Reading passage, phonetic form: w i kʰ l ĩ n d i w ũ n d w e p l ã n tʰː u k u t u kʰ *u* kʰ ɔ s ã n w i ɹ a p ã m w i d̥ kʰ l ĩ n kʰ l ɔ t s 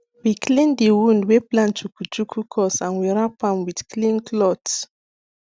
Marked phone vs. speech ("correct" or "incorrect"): correct